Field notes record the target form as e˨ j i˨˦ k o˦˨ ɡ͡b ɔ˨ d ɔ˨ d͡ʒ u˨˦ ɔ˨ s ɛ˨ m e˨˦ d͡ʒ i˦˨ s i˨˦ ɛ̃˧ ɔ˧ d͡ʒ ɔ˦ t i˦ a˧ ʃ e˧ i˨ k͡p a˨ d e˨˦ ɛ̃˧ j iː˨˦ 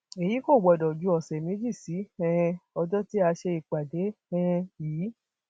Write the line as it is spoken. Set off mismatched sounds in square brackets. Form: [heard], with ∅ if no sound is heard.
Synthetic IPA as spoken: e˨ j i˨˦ k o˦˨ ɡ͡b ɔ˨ d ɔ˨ d͡ʒ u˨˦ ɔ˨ s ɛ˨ m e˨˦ d͡ʒ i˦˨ s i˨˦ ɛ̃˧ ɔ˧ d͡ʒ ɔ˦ t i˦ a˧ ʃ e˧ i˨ k͡p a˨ d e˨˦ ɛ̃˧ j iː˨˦

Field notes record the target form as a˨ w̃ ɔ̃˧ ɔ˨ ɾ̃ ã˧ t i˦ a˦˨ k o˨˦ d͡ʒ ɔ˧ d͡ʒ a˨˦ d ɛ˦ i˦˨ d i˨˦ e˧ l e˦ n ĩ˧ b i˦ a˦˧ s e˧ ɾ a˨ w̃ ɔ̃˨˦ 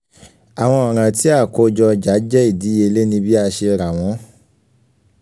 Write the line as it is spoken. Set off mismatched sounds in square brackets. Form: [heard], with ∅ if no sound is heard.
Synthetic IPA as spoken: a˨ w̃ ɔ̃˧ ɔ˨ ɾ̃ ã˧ t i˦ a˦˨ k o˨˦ d͡ʒ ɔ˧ d͡ʒ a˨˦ [d͡ʒ] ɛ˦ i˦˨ d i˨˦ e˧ l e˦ n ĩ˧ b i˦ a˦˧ [ʃ] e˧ ɾ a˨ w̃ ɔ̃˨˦

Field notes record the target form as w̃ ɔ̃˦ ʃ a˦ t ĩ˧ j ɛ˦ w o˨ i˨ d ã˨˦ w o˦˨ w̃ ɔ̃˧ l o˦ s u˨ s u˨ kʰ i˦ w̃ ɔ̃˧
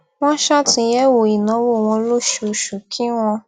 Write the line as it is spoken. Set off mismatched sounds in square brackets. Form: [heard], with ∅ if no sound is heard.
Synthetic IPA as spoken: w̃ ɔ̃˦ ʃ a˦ t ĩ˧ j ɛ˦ w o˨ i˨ [n] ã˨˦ w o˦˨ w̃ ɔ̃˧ l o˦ [ʃ] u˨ [ʃ] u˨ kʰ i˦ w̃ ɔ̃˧

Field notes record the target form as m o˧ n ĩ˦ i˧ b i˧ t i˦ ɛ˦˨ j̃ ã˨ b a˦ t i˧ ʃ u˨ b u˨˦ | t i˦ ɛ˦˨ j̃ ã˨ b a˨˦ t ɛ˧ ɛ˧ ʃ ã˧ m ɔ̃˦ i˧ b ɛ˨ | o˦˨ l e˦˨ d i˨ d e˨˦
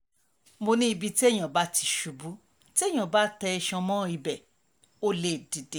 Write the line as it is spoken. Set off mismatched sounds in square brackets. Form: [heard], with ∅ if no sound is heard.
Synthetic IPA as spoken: m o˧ n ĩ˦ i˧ b i˧ t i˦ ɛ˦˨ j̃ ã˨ b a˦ t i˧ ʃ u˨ b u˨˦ | t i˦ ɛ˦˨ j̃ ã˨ b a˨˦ t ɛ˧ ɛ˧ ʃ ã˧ m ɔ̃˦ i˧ b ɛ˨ | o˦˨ l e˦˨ d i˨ d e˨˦

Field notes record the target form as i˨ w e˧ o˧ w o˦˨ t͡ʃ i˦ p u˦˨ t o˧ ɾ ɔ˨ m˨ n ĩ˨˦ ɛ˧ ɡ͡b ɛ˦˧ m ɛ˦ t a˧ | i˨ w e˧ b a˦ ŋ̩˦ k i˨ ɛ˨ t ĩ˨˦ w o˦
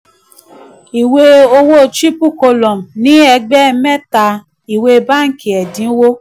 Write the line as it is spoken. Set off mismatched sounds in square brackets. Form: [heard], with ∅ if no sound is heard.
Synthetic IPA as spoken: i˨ w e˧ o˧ w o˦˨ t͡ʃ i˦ p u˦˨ [k] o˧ [l] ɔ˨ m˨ n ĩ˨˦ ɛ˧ ɡ͡b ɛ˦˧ m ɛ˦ t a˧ | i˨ w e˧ b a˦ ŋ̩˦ k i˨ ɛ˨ [d] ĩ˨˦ w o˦

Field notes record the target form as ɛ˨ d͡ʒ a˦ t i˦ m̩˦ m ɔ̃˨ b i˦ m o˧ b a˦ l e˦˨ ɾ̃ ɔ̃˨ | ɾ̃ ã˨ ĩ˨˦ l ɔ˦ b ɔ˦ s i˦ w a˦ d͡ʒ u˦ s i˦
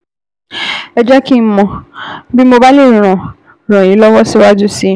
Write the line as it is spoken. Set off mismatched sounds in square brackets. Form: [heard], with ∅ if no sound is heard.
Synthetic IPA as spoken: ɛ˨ d͡ʒ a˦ [k] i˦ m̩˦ m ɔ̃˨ b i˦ m o˧ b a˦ l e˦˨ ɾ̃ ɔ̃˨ | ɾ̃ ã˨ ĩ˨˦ l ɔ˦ [w] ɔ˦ s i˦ w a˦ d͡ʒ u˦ s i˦

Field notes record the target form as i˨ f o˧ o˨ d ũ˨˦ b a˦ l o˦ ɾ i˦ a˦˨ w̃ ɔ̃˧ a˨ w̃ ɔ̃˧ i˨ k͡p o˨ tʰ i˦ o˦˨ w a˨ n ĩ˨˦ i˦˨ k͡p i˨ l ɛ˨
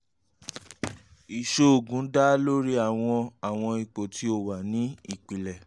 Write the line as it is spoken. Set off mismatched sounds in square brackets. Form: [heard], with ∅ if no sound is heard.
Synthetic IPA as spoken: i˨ [ʃ] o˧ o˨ [ɡ] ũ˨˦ [d] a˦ l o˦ ɾ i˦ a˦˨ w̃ ɔ̃˧ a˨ w̃ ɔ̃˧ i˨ k͡p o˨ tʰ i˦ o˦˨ w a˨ n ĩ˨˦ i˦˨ k͡p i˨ l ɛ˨

